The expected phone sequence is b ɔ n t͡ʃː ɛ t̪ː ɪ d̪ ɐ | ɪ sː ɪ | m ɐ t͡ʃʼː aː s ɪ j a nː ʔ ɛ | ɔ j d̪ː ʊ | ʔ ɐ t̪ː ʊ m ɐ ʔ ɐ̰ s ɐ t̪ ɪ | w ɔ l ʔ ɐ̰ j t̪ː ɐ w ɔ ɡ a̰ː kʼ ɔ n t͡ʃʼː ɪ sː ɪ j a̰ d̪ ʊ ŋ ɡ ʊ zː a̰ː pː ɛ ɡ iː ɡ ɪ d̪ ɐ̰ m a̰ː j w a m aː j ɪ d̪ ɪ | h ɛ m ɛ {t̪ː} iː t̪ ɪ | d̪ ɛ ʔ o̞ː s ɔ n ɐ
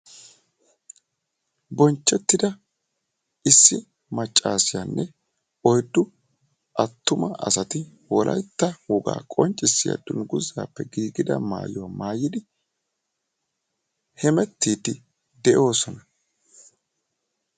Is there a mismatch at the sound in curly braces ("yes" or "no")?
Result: no